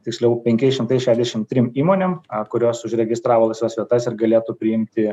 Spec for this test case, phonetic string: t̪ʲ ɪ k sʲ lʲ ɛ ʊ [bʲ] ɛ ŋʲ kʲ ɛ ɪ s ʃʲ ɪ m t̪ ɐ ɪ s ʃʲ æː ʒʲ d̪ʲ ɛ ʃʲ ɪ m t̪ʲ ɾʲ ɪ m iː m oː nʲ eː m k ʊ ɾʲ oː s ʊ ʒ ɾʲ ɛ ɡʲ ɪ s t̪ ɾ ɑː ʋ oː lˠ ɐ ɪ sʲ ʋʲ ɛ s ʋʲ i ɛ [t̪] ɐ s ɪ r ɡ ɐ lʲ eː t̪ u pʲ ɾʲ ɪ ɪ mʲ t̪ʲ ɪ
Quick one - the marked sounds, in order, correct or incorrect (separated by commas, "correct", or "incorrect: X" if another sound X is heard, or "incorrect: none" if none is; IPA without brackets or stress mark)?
incorrect: pʲ, correct